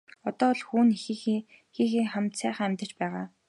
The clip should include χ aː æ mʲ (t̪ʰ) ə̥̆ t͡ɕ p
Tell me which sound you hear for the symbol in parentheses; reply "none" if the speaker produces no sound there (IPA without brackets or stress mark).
t̪